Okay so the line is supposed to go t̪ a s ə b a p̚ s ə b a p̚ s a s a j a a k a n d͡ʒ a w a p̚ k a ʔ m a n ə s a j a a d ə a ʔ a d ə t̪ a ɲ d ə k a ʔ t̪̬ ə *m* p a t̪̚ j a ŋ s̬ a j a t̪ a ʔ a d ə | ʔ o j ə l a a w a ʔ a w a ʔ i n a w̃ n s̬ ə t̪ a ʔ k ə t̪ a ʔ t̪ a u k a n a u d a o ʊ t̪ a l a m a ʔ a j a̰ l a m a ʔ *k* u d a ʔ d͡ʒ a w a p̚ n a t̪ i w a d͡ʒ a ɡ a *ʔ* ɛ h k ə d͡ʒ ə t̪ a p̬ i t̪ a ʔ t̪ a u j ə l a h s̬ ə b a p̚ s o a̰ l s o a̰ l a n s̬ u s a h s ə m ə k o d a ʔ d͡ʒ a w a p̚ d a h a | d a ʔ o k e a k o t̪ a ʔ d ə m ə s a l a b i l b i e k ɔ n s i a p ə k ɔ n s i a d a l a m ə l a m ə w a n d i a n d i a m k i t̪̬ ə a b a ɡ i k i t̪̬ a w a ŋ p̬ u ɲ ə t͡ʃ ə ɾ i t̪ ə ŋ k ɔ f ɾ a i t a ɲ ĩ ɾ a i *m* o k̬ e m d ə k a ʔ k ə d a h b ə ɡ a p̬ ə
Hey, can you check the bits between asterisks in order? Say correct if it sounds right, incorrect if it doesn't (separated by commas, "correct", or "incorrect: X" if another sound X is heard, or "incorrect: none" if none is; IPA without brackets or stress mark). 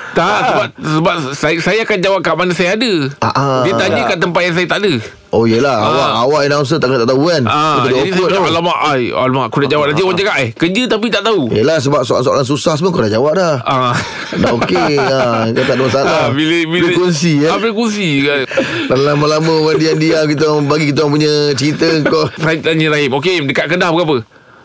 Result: correct, correct, correct, correct